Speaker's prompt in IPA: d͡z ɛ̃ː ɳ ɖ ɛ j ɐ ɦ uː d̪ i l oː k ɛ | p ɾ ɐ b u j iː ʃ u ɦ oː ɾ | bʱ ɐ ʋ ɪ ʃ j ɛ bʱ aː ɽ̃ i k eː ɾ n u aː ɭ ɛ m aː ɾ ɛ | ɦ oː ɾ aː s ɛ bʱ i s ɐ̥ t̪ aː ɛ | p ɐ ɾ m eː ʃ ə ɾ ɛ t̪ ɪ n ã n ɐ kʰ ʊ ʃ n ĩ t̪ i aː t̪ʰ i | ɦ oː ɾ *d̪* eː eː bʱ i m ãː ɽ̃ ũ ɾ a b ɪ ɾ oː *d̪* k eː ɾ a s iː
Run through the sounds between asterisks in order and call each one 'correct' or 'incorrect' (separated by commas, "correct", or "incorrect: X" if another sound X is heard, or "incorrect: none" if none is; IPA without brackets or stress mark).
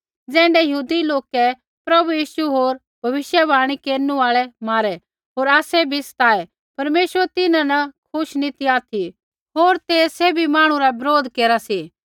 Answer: incorrect: t̪, correct